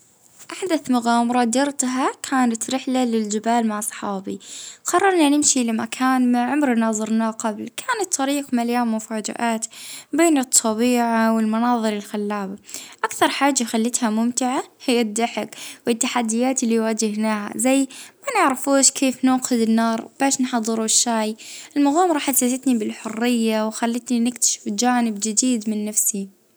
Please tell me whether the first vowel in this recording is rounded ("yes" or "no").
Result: no